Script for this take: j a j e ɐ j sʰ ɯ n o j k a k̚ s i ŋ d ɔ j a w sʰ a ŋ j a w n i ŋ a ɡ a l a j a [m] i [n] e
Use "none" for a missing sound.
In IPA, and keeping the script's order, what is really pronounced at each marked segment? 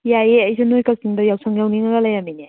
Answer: m, n

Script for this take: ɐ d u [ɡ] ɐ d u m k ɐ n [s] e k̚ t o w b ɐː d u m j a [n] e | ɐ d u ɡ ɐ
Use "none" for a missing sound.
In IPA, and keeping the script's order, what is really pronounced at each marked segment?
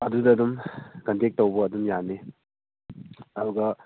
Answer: d, t, n

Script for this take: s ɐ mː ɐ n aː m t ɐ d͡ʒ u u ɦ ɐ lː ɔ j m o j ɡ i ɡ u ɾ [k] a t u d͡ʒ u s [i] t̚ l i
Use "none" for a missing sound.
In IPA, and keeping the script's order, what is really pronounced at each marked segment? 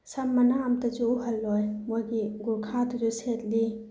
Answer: kʰ, e

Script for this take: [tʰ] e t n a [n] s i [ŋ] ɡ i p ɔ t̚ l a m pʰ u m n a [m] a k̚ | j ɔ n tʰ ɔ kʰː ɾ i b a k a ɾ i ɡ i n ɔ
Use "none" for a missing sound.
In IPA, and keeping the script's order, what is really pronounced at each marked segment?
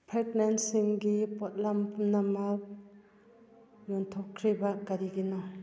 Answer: pʰ, n, ŋ, m

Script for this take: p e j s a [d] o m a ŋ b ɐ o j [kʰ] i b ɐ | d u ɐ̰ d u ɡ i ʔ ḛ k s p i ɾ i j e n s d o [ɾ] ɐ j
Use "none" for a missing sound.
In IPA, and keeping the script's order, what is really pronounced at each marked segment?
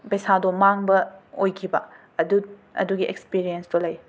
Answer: d, kʰ, l

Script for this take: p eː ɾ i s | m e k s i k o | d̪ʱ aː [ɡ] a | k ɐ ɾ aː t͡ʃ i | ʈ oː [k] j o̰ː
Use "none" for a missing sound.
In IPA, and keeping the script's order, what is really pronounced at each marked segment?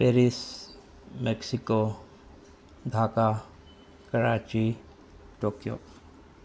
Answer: k, k

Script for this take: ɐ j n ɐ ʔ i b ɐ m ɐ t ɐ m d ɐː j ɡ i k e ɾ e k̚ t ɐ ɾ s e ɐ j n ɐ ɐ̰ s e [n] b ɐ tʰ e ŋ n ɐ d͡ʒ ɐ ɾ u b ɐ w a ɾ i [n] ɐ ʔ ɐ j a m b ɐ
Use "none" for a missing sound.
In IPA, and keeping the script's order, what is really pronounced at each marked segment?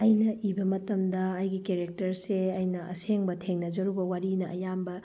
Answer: ŋ, n

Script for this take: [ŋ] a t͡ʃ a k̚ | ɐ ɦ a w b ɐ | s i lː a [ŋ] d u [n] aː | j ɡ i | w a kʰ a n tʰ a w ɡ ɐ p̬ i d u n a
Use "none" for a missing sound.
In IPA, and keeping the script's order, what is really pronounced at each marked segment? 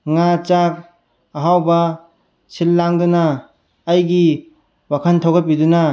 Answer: ŋ, ŋ, n

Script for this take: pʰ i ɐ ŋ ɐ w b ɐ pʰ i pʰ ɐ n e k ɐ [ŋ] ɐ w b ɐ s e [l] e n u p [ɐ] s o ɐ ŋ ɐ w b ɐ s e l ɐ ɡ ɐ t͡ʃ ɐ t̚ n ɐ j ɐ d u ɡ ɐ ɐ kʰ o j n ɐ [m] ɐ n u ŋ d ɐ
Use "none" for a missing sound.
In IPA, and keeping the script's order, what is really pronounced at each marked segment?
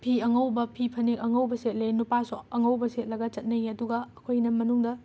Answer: ŋ, l, a, m

